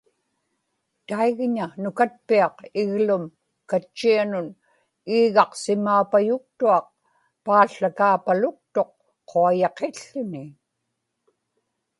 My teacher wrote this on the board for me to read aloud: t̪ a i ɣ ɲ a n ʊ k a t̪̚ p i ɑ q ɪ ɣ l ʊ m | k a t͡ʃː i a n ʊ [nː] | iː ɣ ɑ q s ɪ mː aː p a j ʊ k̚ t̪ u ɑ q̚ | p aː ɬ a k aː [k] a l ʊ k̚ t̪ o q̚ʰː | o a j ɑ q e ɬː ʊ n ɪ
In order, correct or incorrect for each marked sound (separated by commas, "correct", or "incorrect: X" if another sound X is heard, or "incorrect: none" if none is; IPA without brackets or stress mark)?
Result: incorrect: n, incorrect: p